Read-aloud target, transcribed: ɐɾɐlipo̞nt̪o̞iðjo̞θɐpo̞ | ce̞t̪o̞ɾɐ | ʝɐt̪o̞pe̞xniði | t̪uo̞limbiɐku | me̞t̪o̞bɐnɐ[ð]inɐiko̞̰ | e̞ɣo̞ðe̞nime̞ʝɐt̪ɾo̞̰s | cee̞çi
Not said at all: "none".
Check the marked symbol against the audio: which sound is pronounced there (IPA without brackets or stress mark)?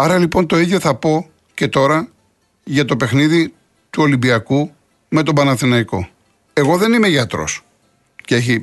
θ